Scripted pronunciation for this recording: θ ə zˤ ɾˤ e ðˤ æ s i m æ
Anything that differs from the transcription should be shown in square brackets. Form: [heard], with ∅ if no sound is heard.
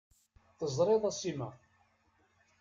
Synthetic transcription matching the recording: θ ə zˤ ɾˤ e ðˤ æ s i m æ